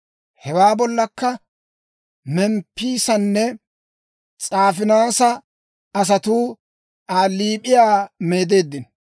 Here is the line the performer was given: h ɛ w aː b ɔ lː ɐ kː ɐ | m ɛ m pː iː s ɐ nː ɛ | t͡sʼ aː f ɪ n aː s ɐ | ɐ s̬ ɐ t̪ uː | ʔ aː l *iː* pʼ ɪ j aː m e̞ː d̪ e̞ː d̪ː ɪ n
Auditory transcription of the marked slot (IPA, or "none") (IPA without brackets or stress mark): iː